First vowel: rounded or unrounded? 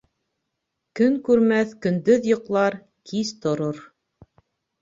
rounded